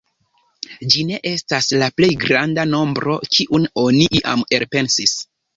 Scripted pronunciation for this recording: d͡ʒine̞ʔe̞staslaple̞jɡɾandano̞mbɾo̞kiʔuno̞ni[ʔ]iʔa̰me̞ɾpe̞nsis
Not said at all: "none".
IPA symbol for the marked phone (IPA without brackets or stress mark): ʔ